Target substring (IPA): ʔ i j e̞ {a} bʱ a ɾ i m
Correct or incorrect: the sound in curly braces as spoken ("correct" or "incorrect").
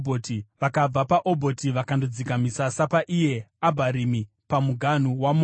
correct